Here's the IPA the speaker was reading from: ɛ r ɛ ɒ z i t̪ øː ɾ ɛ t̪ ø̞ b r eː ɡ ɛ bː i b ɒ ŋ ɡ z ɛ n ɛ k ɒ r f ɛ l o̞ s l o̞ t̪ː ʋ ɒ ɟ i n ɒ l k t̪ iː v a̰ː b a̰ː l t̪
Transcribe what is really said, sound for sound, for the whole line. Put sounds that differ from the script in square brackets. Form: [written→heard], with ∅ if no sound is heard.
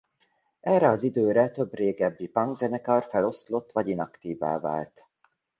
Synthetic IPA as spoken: ɛ r ɛ ɒ z i [t̪→d̪] øː ɾ ɛ t̪ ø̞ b r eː ɡ ɛ bː i [b→p] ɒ ŋ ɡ z ɛ n ɛ k ɒ r f ɛ l o̞ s l o̞ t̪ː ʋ ɒ ɟ i n ɒ [l→∅] k t̪ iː v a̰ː [b→v] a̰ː l t̪